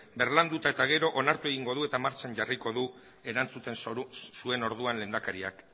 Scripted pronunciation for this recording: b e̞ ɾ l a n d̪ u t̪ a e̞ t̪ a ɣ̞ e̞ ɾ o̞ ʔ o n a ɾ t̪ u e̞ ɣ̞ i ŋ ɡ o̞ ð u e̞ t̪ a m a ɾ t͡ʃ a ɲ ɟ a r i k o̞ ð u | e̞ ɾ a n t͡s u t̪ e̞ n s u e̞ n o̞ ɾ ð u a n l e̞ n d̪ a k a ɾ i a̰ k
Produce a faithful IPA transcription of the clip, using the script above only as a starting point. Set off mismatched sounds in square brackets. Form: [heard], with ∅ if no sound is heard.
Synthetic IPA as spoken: b e̞ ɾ l a n d̪ u t̪ a e̞ t̪ a ɣ̞ e̞ ɾ o̞ ʔ o n a ɾ t̪ u e̞ ɣ̞ i ŋ ɡ o̞ ð u e̞ t̪ a m a ɾ t͡ʃ a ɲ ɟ a r i k o̞ ð u | e̞ ɾ a n t͡s u t̪ e̞ n s u e̞ n o̞ ɾ ð u a n l e̞ n d̪ a k a ɾ i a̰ k